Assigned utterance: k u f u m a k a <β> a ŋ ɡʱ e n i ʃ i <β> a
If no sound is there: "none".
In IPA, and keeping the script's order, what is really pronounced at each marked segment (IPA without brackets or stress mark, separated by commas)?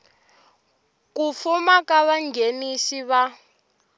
β, β